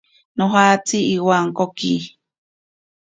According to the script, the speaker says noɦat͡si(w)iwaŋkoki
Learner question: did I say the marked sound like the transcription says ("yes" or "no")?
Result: no